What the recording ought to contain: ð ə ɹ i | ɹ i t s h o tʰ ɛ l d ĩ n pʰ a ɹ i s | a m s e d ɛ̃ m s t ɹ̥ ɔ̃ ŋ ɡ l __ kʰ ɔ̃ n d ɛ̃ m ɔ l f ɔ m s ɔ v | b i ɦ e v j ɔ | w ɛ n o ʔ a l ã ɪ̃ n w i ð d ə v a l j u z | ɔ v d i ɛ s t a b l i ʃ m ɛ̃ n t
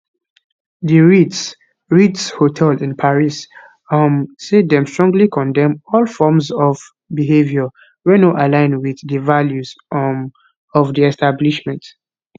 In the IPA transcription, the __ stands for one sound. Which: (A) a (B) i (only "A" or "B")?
B